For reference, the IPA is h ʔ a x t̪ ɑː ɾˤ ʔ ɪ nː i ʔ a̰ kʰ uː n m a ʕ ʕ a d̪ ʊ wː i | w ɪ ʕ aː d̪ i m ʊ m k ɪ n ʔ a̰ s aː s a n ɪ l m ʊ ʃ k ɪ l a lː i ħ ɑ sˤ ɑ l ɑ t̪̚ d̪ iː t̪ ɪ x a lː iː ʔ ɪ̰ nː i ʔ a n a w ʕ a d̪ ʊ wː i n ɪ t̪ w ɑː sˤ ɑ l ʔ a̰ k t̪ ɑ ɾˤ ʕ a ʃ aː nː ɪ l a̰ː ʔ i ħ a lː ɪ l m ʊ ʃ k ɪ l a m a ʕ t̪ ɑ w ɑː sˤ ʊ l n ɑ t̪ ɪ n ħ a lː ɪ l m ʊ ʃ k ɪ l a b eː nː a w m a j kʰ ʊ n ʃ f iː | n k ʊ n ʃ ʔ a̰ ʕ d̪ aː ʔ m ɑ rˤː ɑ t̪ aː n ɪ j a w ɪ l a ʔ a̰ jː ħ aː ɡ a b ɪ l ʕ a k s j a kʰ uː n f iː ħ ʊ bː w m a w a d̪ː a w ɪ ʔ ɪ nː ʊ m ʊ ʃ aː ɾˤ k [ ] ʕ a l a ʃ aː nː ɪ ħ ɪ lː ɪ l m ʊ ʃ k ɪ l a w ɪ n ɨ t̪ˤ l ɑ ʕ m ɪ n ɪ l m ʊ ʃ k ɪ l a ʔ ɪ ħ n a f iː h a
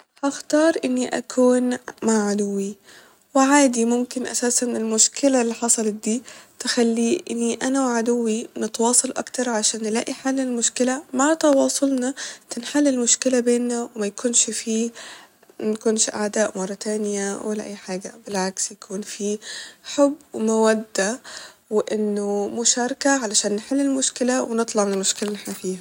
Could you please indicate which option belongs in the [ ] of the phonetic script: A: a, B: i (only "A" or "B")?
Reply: A